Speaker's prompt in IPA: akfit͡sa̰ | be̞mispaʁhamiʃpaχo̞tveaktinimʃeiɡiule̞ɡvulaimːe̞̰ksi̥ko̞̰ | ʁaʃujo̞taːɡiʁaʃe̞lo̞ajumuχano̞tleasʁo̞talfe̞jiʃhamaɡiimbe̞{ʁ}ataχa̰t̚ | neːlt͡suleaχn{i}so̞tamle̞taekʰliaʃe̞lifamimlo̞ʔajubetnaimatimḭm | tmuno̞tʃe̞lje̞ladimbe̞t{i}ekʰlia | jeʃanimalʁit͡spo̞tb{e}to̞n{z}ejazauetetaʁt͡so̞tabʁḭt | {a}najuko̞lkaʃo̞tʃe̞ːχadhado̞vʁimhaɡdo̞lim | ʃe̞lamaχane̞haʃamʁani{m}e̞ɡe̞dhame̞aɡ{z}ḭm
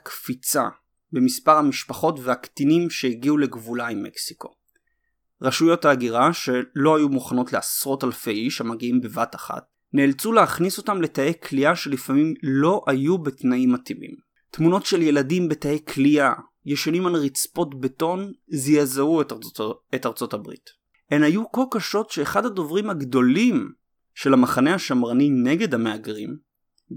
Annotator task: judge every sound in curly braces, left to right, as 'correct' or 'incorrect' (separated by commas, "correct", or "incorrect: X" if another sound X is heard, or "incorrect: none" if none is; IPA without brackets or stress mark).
incorrect: v, correct, incorrect: a, correct, correct, incorrect: e, incorrect: n, incorrect: ʁ